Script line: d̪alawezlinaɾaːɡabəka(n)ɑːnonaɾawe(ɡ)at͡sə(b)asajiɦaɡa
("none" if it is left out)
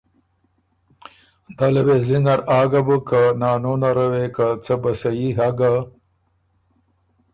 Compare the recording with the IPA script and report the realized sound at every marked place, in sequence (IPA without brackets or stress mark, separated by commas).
n, k, b